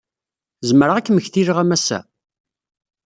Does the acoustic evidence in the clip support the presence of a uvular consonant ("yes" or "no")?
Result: yes